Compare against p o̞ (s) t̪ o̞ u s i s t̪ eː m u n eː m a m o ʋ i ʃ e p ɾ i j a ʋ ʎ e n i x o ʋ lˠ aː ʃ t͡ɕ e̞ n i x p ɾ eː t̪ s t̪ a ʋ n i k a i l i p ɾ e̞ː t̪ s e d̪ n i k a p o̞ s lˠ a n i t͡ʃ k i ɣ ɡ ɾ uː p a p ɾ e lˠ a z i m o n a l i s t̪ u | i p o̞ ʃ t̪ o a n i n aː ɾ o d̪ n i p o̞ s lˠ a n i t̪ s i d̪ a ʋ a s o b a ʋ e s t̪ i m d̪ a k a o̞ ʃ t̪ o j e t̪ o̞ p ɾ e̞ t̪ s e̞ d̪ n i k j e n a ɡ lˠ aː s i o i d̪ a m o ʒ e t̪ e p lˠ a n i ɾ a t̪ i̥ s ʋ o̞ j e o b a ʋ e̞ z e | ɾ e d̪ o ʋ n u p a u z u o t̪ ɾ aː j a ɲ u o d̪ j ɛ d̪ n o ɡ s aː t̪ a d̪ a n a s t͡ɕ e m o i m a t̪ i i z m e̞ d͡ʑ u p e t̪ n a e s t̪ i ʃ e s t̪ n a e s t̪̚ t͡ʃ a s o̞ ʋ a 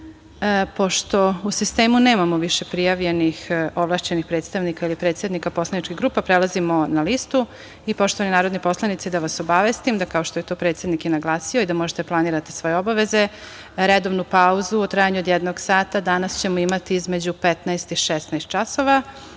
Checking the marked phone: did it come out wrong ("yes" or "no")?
yes